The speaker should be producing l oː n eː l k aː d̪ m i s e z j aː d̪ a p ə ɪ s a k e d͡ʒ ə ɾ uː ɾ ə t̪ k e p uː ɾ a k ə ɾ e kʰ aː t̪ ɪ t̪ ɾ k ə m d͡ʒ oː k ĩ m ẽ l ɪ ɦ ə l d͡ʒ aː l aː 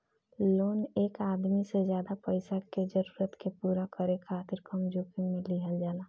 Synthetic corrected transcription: l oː n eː k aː d̪ m i s e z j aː d̪ a p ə ɪ s a k e d͡ʒ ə ɾ uː ɾ ə t̪ k e p uː ɾ a k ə ɾ e kʰ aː t̪ ɪ ɾ k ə m d͡ʒ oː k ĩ m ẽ l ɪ ɦ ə l d͡ʒ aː l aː